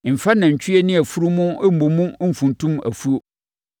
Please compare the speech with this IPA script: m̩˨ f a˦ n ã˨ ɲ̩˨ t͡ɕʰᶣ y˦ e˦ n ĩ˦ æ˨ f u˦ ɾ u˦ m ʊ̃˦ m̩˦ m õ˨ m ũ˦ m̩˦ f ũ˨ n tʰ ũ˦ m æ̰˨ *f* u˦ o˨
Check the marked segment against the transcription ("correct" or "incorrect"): correct